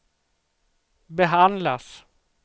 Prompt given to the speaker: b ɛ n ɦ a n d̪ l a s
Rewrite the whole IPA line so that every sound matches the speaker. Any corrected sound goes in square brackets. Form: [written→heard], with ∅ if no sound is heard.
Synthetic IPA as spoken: b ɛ [n→∅] ɦ a n d̪ l a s